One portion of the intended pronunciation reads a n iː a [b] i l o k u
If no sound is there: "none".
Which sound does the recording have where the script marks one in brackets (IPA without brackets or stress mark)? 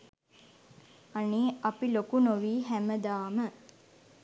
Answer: p